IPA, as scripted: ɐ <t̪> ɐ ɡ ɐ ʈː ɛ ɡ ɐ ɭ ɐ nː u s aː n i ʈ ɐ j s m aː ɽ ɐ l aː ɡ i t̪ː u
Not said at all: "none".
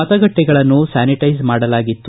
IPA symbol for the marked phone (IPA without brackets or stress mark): t̪